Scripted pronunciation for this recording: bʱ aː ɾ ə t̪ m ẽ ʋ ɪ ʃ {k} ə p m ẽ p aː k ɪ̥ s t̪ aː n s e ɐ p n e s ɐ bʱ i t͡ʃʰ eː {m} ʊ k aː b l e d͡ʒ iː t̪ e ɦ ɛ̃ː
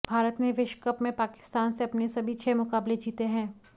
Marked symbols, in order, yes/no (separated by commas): yes, yes